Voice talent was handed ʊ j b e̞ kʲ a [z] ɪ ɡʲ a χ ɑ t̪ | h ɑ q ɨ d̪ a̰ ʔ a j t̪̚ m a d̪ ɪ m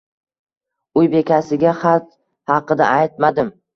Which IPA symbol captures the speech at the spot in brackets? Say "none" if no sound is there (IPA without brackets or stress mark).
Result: s